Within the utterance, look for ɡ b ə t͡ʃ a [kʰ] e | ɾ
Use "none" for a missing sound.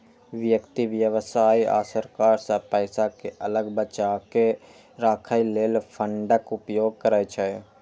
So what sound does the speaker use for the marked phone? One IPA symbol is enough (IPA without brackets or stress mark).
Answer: k